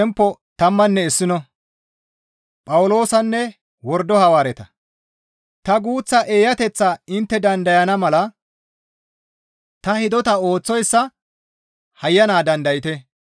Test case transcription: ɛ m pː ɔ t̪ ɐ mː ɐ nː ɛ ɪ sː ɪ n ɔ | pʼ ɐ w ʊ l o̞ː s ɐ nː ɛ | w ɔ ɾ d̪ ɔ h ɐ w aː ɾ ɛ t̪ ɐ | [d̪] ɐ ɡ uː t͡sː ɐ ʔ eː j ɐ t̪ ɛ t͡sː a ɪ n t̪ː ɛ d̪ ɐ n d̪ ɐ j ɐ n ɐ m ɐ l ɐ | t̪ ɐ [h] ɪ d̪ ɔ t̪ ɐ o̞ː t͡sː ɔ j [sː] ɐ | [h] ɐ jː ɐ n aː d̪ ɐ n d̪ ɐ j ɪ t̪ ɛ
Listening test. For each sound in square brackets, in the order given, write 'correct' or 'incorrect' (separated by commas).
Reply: incorrect, correct, correct, correct